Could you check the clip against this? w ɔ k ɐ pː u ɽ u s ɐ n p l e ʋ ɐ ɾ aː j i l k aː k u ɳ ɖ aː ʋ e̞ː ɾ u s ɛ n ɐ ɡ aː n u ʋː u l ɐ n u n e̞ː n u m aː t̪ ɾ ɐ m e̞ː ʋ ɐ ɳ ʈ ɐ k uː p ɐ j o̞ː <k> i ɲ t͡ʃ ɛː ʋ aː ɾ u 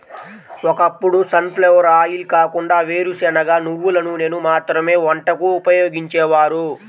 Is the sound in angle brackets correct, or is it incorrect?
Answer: incorrect